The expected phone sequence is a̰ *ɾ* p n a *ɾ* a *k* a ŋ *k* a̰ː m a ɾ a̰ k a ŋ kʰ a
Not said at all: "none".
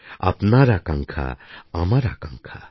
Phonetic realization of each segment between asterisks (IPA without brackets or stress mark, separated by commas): none, ɾ, k, kʰ